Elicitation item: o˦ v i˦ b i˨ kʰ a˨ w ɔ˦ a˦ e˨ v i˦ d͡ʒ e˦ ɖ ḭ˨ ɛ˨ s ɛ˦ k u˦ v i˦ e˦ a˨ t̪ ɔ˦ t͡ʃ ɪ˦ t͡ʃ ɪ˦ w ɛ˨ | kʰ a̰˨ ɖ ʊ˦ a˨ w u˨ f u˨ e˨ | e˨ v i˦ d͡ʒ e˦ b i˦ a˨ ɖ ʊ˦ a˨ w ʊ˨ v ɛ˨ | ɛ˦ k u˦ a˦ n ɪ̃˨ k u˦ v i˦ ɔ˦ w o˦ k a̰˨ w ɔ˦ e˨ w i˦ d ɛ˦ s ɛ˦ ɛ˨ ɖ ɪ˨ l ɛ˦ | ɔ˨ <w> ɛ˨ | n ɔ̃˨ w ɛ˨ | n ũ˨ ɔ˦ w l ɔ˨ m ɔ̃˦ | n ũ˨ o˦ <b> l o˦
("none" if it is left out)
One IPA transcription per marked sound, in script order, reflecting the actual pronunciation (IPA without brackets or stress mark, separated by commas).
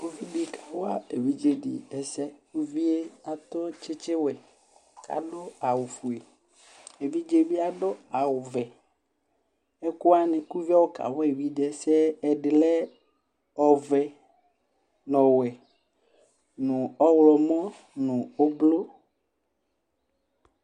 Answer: v, b